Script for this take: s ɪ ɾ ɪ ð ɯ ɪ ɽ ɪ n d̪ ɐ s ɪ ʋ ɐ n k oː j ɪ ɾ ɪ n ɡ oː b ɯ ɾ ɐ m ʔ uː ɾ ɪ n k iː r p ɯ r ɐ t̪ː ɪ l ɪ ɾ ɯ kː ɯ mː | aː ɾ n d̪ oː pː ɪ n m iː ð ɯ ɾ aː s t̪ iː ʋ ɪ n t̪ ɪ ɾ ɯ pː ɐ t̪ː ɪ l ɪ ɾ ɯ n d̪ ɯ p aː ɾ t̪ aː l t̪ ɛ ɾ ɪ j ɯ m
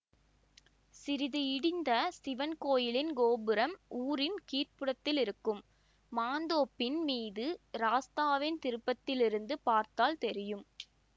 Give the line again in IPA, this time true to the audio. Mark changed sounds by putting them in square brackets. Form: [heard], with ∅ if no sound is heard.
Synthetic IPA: s ɪ ɾ ɪ ð ɯ ɪ ɽ ɪ n d̪ ɐ s ɪ ʋ ɐ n k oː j ɪ [l] ɪ n ɡ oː b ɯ ɾ ɐ m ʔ uː ɾ ɪ n k iː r p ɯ [ɽ] ɐ t̪ː ɪ l ɪ ɾ ɯ kː ɯ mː | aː [∅] n d̪ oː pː ɪ n m iː ð ɯ ɾ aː s t̪ [aː] ʋ ɪ n t̪ ɪ ɾ ɯ pː ɐ t̪ː ɪ l ɪ ɾ ɯ n d̪ ɯ p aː ɾ t̪ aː l t̪ ɛ ɾ ɪ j ɯ m

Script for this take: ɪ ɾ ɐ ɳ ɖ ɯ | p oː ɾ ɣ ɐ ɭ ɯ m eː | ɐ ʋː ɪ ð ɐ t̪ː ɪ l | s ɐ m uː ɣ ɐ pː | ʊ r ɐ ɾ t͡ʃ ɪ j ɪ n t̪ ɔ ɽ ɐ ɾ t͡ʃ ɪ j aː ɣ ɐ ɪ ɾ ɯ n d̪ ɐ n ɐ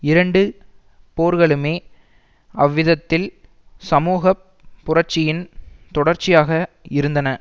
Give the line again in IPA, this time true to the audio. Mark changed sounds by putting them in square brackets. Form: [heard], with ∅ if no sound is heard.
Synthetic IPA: ɪ ɾ ɐ ɳ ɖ ɯ | p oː ɾ ɣ ɐ ɭ ɯ m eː | ɐ ʋː ɪ ð ɐ t̪ː ɪ l | s ɐ m uː ɣ ɐ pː | ʊ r ɐ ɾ t͡ʃ ɪ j ɪ n t̪ ɔ ɽ ɐ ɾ t͡ʃ ɪ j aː ɣ ɐ ɪ ɾ ɯ n d̪ ɐ n ɐ

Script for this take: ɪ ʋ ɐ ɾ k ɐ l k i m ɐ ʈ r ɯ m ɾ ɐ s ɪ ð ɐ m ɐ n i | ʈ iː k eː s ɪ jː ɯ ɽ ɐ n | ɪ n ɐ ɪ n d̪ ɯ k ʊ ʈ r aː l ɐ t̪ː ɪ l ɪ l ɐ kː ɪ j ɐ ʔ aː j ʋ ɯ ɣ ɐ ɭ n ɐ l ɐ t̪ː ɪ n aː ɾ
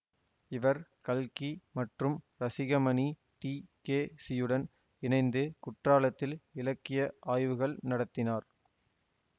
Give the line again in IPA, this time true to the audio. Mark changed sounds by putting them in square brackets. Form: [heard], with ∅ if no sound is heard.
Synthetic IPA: ɪ ʋ ɐ ɾ k ɐ l k i m ɐ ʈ r ɯ m ɾ ɐ s ɪ [ɣ] ɐ m ɐ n i | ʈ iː k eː s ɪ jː ɯ ɽ ɐ n | ɪ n ɐ ɪ n d̪ ɯ k ʊ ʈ r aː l ɐ t̪ː ɪ l ɪ l ɐ kː ɪ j ɐ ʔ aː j ʋ ɯ ɣ ɐ ɭ n ɐ [ɽ] ɐ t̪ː ɪ n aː ɾ

